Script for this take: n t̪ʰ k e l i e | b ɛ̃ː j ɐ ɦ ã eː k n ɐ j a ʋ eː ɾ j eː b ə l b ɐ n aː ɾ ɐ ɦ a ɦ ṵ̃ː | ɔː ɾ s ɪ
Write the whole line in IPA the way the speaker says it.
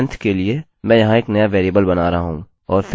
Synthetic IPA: n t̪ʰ k e l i e | m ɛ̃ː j ɐ ɦ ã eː k n ɐ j a ʋ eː ɾ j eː b ə l b ɐ n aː ɾ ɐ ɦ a ɦ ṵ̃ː | ɔː ɾ f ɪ